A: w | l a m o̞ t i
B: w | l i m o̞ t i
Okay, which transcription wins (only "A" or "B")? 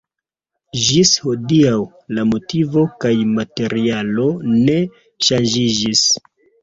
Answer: A